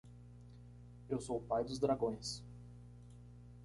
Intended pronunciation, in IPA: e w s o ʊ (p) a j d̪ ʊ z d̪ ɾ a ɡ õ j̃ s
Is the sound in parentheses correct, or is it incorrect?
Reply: correct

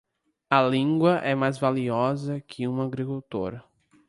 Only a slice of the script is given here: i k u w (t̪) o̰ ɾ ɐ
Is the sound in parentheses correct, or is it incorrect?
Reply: correct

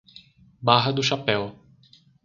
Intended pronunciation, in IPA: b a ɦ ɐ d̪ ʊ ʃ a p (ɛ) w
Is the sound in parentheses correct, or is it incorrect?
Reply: correct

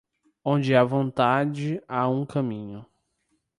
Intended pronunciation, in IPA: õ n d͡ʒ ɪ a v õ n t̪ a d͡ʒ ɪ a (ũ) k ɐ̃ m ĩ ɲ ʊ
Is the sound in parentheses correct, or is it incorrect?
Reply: correct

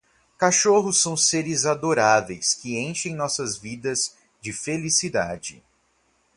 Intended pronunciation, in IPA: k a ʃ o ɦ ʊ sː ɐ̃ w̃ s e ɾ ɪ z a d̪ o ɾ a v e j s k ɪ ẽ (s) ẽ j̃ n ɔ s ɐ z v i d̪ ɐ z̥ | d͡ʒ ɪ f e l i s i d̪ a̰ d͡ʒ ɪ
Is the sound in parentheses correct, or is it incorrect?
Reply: incorrect: ʃ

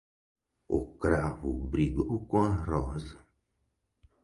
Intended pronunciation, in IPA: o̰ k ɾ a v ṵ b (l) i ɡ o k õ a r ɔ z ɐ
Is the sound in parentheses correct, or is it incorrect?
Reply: incorrect: ɾ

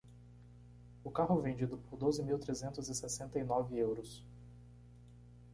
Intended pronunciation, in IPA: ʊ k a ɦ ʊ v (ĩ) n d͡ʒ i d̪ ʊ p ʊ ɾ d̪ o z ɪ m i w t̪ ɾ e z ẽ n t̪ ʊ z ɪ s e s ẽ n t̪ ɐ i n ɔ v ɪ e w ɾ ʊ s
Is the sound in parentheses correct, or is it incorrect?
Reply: incorrect: ẽ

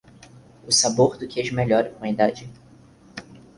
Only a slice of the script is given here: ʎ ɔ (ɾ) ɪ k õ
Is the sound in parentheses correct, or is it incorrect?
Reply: correct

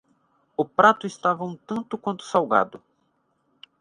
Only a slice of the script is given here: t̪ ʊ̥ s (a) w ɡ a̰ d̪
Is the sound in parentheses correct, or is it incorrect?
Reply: correct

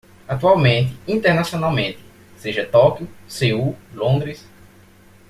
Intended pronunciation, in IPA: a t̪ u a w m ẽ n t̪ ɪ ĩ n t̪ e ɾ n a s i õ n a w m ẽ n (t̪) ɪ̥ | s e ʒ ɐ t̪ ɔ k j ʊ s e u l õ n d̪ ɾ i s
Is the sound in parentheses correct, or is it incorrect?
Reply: correct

